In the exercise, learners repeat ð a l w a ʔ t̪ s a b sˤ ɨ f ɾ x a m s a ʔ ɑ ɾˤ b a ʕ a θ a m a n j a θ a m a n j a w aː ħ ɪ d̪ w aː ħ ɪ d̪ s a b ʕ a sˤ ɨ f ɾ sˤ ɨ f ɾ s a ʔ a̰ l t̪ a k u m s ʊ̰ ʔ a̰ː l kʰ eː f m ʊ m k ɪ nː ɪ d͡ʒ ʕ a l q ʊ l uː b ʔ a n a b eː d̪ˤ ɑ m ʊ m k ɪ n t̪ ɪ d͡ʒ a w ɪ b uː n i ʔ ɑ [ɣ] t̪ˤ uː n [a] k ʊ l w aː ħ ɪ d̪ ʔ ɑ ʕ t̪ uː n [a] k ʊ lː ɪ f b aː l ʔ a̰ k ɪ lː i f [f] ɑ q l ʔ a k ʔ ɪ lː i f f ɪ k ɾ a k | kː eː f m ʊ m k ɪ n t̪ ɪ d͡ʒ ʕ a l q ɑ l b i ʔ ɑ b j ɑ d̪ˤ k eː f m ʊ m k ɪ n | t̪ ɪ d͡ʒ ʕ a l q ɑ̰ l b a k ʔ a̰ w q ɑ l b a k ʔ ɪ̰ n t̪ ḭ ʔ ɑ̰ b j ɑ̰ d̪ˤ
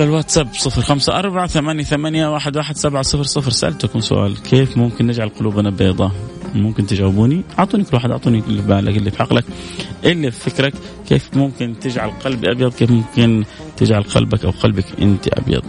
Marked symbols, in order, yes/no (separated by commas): no, no, no, no